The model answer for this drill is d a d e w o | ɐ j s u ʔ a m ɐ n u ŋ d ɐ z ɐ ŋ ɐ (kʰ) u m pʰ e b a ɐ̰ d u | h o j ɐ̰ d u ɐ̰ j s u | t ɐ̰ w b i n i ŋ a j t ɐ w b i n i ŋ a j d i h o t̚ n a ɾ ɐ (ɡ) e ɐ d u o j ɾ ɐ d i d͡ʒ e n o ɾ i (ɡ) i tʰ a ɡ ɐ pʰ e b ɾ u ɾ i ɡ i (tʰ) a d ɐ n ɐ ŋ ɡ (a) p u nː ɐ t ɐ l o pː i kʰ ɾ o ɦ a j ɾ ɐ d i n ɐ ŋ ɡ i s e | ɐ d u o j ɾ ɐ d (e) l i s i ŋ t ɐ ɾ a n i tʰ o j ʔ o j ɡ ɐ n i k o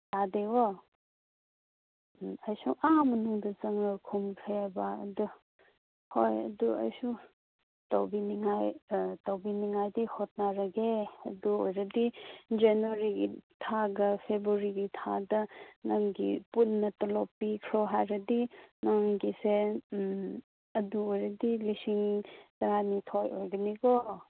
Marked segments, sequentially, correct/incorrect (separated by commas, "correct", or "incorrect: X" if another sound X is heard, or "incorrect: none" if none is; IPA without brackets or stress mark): correct, correct, correct, correct, incorrect: i, incorrect: i